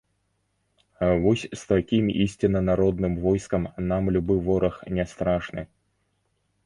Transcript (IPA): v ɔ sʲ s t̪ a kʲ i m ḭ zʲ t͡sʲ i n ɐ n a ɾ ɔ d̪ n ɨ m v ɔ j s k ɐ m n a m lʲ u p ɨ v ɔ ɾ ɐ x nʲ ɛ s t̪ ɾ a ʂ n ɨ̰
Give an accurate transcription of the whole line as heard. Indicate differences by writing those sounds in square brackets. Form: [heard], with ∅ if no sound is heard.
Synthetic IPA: v ɔ sʲ s t̪ a kʲ i m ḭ [sʲ] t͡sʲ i n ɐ n a ɾ ɔ d̪ n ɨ m v ɔ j s k ɐ m n a m lʲ u [b] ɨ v ɔ ɾ ɐ x nʲ ɛ s t̪ ɾ a ʂ n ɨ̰